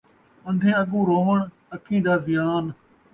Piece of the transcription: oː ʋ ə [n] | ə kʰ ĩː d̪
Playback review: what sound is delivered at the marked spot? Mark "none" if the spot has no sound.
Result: ɳ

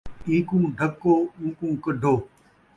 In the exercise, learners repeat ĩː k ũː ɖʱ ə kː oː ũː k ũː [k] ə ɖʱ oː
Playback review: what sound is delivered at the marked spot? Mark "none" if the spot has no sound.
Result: k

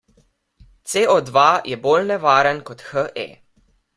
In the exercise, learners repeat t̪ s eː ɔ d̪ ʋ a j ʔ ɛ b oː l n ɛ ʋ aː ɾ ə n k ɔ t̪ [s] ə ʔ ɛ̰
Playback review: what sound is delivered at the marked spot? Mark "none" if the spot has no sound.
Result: x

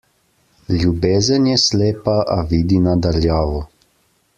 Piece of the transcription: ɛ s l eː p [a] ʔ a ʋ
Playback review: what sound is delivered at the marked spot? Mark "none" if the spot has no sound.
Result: a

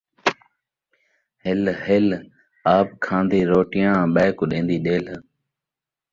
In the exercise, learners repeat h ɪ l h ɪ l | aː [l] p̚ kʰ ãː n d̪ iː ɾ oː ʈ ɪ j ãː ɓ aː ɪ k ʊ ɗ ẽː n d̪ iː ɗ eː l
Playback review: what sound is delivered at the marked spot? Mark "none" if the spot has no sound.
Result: none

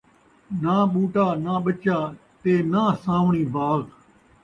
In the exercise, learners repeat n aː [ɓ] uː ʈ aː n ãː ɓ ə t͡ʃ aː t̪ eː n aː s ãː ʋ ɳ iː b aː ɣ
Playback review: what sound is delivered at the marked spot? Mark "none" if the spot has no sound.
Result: ɓ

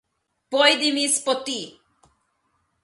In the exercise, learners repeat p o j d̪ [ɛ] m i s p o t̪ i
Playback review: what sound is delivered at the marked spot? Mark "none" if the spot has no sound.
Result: i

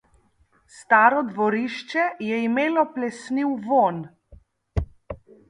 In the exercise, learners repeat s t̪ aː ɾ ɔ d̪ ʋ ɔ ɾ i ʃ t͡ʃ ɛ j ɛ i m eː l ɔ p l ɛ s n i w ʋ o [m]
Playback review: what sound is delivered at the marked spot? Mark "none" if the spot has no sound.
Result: n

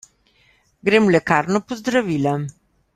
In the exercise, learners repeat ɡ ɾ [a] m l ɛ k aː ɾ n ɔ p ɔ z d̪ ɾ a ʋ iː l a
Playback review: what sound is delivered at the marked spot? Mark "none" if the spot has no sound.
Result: e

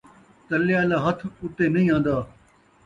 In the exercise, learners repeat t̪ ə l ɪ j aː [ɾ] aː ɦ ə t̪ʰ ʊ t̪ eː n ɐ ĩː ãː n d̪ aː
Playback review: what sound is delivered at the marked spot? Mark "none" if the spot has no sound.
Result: l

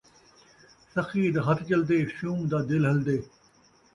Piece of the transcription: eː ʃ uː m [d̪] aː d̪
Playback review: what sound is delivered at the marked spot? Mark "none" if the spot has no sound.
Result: d̪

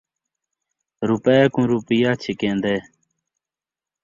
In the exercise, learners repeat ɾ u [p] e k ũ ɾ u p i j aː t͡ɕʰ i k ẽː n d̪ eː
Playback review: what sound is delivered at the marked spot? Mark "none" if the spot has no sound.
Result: p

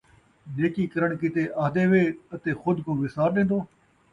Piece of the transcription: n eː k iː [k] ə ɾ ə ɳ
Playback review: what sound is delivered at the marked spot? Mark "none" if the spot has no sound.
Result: k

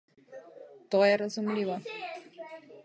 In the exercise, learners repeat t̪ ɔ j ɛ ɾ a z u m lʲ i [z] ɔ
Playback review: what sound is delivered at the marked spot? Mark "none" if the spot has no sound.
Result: v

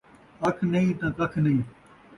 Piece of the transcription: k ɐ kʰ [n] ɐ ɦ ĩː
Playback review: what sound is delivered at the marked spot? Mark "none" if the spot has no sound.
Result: n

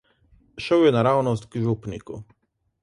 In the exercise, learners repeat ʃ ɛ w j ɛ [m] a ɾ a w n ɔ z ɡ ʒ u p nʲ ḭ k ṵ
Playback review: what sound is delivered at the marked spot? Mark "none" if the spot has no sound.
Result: n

